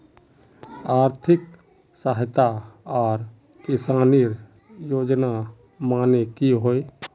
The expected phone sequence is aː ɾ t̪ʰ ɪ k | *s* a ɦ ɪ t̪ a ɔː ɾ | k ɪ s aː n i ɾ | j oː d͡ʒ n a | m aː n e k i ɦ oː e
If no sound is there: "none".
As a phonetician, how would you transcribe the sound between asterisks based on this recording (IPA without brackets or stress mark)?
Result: s